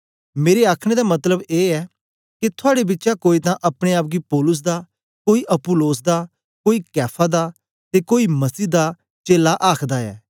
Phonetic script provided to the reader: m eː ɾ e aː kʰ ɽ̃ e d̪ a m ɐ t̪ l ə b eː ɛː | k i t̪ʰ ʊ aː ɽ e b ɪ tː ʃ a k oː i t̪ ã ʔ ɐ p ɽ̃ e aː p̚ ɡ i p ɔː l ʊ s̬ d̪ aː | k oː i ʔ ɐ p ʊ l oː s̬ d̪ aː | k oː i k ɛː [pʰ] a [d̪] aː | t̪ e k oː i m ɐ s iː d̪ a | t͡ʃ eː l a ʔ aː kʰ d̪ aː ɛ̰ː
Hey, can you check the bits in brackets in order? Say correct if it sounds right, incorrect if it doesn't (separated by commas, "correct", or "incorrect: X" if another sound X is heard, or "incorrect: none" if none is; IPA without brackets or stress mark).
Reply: correct, correct